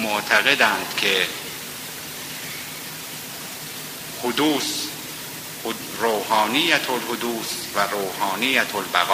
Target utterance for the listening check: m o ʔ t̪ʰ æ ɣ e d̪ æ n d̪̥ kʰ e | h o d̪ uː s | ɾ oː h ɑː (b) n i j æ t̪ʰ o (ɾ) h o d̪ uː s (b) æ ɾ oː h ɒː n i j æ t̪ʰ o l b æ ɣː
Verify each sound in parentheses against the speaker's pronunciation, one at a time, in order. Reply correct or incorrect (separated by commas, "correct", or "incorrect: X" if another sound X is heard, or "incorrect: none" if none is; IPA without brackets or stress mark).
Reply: incorrect: none, incorrect: l, incorrect: v